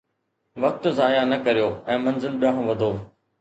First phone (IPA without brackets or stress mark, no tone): ʋ